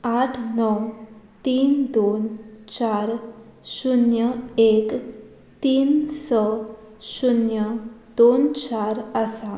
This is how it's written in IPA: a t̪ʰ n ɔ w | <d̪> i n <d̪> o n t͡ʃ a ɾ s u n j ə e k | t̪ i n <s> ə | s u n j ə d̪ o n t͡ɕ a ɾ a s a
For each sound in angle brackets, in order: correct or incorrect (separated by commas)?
incorrect, correct, correct